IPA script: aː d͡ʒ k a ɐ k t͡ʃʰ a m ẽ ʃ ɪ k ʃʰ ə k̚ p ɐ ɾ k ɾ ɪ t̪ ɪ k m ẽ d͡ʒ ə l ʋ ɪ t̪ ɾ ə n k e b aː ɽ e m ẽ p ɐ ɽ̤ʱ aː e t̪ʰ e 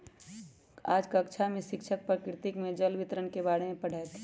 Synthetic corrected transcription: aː d͡ʒ k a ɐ k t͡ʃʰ a m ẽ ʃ ɪ k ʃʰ ə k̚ p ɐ ɾ k ɾ ɪ t̪ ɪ k m ẽ d͡ʒ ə l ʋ ɪ t̪ ɾ ə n k e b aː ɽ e m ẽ p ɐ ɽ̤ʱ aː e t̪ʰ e

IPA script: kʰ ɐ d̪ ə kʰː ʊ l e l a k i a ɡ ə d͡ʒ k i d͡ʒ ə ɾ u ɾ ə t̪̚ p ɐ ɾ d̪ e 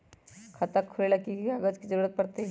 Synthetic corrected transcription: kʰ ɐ t̪ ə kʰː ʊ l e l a k i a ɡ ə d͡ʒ k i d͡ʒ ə ɾ u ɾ ə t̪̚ p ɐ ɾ t̪ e

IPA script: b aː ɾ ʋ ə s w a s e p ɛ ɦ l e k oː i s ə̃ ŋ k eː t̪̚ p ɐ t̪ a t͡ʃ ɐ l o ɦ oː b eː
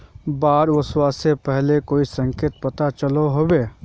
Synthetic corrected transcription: b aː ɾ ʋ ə s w a s e p ɛ ɦ l e k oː i s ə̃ ŋ k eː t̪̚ p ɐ t̪ a t͡ʃ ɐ l o ɦ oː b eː

